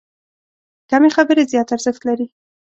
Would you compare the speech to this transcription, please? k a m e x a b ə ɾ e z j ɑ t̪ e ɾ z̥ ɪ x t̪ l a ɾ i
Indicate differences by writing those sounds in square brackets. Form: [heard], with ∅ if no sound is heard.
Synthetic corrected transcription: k a m e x a b ə ɾ e z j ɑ t̪ [a] ɾ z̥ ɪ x t̪ l a ɾ i